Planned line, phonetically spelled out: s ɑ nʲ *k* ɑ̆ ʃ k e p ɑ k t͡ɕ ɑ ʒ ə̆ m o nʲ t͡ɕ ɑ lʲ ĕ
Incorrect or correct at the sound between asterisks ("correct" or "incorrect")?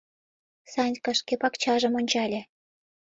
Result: correct